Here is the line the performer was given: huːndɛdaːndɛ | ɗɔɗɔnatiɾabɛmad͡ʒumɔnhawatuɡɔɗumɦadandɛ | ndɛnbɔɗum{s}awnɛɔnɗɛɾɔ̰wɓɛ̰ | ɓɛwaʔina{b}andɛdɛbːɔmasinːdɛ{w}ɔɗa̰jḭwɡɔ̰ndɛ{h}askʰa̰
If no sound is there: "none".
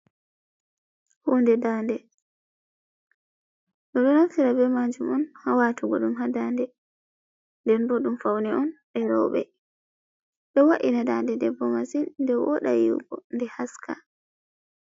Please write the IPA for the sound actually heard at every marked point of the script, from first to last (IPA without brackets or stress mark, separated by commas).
f, d, w, h